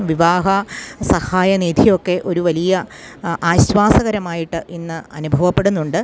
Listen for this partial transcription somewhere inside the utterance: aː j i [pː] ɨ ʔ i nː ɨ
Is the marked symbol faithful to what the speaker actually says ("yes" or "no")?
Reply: no